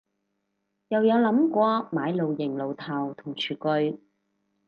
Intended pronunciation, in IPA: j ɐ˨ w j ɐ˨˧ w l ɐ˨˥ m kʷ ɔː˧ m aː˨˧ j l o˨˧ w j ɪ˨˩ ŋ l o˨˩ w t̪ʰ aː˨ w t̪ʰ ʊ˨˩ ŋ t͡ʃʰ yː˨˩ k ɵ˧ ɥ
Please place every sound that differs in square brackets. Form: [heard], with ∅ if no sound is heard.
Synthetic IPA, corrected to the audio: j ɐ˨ w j ɐ˨˧ w l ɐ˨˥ m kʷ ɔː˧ m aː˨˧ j l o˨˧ w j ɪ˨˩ ŋ l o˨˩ w t̪ʰ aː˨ w t̪ʰ ʊ˨˩ ŋ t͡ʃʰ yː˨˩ k ɵ˧ ɥ